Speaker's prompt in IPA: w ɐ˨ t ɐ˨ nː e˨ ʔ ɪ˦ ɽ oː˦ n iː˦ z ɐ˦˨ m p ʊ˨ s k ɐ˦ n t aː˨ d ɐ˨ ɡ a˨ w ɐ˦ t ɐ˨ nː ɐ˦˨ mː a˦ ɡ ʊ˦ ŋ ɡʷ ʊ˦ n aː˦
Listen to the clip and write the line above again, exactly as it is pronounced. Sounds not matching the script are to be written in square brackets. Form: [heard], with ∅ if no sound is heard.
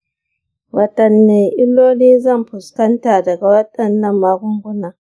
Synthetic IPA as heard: w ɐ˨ t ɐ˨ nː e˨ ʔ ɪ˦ [l] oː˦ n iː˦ z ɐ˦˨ m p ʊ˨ s k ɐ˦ n t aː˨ d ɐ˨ ɡ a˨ w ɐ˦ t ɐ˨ nː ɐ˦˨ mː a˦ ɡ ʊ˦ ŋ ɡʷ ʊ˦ n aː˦